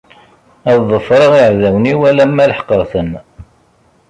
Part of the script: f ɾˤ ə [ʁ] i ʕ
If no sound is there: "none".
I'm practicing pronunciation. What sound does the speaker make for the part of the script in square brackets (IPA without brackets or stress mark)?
ʁ